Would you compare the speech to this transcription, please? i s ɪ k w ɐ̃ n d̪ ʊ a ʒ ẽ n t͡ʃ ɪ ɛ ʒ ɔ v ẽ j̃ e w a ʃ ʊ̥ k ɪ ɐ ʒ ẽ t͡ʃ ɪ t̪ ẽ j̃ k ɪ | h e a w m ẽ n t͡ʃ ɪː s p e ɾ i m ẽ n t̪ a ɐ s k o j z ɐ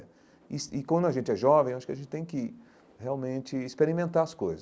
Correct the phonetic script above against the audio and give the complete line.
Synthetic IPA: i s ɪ k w ɐ̃ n d̪ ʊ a ʒ ẽ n t͡ʃ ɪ ɛ ʒ ɔ v ẽ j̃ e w a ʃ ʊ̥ k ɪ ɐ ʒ ẽ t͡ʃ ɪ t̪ ẽ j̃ k ɪ | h e a w m ẽ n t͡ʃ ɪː s p e ɾ i m ẽ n t̪ a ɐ s k o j z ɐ